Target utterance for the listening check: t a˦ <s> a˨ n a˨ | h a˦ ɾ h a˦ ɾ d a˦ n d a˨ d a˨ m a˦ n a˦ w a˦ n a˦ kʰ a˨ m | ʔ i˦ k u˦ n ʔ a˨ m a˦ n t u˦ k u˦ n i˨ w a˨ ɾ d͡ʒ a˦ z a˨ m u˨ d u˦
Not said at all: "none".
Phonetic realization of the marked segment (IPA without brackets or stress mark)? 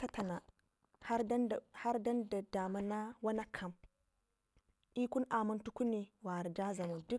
t